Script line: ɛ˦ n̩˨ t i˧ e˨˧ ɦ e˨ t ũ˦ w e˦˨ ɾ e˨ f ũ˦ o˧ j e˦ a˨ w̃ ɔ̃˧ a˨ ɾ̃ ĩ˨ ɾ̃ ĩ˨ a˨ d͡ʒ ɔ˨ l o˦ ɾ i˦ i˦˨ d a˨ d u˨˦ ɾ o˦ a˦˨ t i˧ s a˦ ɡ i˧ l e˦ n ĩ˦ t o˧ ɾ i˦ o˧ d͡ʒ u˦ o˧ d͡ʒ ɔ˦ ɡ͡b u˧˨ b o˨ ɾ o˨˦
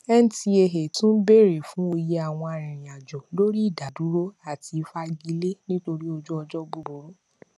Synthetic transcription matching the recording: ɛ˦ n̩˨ t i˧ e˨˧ ɦ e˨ t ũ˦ b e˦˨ ɾ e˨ f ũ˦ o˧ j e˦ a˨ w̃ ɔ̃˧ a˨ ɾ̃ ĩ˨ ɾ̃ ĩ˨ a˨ d͡ʒ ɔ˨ l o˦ ɾ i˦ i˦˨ d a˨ d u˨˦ ɾ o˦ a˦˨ t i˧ f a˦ ɡ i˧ l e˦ n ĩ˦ t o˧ ɾ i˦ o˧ d͡ʒ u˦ ɔ˧ d͡ʒ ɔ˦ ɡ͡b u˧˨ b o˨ ɾ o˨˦